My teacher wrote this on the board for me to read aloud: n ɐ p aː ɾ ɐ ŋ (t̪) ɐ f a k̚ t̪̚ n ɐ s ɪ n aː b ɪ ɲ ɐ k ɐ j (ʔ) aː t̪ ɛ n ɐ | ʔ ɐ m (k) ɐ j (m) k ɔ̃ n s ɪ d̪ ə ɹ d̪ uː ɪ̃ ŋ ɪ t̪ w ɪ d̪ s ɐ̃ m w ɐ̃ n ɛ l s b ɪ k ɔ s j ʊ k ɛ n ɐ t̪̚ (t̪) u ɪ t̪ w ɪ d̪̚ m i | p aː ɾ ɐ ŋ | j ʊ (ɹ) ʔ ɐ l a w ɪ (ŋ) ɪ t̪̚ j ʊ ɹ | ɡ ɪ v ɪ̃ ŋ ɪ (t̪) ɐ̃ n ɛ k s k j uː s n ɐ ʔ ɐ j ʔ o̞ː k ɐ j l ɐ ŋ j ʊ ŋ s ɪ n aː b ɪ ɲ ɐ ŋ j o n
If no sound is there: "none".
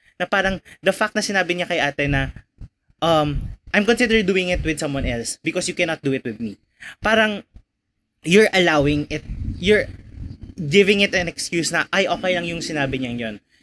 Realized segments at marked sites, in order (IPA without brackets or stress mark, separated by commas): d̪, ʔ, ʔ, m, d̪, ɹ, ŋ, t̪